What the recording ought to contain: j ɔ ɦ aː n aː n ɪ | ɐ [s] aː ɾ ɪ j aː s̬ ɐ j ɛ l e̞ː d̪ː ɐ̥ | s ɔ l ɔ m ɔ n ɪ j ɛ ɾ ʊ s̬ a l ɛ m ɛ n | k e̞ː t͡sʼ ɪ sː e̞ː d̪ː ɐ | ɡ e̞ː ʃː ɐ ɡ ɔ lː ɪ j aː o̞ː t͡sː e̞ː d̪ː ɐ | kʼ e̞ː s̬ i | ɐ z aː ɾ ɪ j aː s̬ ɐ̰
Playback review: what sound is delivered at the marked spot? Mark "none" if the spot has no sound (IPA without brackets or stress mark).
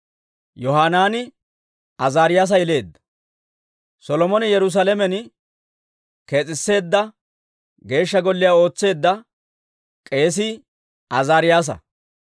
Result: z